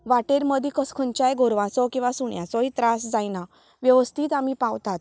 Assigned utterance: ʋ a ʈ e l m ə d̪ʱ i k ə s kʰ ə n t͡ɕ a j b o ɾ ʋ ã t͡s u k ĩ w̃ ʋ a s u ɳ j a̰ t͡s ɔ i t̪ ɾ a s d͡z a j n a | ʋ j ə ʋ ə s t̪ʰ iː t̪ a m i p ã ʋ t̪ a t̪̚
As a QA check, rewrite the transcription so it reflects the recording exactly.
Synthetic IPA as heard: ʋ a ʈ e ɾ m ə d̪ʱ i k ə s kʰ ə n t͡ɕ a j ɡ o ɾ ʋ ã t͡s ɔ k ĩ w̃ ʋ a s u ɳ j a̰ t͡s ɔ i t̪ ɾ a s d͡z a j n a | ʋ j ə ʋ ə s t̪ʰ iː t̪ a m i p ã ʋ t̪ a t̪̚